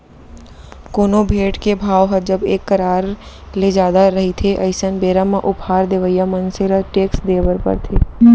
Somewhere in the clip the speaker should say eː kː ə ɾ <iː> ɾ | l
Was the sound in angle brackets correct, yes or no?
no